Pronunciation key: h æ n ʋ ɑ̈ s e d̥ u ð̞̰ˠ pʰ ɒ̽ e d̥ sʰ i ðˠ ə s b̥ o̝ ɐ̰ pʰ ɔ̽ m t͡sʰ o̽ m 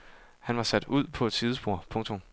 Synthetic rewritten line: h æ n ʋ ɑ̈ s æ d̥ u ð̞̰ˠ pʰ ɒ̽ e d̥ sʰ i ðˠ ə s b̥ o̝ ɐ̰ pʰ ɔ̽ ŋ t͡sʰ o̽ m